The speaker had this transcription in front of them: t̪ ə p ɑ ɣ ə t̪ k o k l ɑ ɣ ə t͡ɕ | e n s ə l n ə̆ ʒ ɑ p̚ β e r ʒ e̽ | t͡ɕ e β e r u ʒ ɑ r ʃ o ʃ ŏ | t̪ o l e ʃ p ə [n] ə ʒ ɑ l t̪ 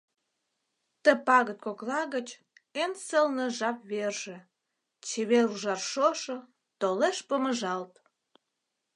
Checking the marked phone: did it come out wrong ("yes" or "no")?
yes